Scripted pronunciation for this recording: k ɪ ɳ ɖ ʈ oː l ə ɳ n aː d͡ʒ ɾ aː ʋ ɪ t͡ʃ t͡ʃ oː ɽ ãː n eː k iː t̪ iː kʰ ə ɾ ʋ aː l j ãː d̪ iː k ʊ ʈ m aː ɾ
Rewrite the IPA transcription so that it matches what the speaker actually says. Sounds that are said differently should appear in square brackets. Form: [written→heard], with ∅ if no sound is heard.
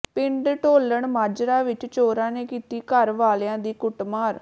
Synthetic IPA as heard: [k→p] ɪ ɳ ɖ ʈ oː l ə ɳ [n→m] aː d͡ʒ ɾ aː ʋ ɪ t͡ʃ t͡ʃ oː [ɽ→ɾ] ãː n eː k iː t̪ iː [kʰ→k] ə ɾ ʋ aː l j ãː d̪ iː k ʊ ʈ m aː ɾ